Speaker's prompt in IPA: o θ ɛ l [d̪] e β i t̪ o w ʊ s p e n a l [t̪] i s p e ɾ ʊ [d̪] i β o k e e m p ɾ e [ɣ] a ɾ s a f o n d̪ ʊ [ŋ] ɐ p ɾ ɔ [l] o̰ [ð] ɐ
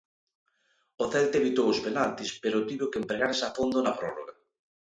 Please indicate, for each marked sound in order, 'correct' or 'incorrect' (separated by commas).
incorrect, correct, incorrect, correct, incorrect, incorrect, incorrect